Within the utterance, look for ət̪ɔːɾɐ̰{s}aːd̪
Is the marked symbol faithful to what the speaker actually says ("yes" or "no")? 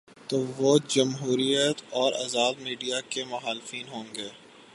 no